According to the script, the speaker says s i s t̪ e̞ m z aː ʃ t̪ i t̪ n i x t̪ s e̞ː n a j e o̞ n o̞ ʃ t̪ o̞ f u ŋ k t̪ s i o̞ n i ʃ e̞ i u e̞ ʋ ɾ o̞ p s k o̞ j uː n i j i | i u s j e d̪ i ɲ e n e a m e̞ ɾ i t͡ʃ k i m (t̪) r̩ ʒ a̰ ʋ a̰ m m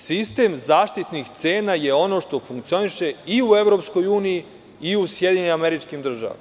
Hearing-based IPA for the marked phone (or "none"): d̪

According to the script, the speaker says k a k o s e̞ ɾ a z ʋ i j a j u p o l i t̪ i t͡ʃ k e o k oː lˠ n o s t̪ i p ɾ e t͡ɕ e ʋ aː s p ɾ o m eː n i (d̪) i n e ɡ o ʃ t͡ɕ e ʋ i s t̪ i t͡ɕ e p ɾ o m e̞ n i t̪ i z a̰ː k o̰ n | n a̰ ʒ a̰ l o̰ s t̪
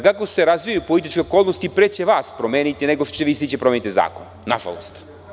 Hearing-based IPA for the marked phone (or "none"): t̪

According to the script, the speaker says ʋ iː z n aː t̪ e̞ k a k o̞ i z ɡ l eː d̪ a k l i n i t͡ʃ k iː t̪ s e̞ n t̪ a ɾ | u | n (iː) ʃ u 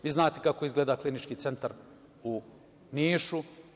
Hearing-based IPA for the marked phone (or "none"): iː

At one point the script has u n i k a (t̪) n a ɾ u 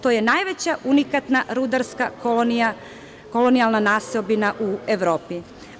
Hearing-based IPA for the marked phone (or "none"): t̪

